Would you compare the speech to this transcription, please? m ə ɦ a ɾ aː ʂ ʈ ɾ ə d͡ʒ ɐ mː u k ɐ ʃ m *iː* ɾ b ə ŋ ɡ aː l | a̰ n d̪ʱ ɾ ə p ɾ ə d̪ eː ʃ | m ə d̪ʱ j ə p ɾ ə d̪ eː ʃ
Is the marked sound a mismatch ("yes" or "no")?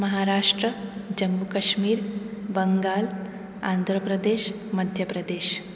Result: no